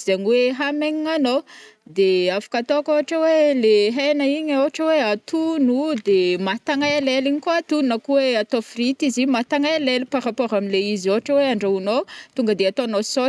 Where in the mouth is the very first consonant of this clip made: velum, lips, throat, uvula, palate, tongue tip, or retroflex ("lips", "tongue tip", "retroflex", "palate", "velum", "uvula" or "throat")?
tongue tip